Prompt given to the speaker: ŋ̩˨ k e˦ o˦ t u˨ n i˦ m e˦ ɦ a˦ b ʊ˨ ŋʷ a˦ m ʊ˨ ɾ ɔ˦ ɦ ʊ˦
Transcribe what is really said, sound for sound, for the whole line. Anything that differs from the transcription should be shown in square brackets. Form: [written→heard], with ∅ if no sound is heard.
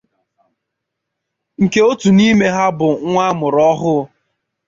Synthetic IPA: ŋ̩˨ k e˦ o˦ t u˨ n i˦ m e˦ ɦ a˦ b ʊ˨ ŋʷ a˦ m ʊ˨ ɾ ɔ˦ ɦ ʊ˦